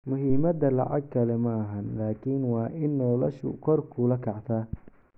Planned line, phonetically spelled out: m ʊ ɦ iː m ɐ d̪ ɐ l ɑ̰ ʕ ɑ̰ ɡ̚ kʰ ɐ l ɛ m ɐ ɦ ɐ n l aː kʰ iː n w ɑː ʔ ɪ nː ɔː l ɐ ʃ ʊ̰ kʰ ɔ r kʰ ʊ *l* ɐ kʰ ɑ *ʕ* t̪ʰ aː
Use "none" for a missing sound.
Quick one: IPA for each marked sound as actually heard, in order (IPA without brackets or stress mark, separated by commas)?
l, ʕ